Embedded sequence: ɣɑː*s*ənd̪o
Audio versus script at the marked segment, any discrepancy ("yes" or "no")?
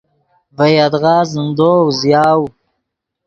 yes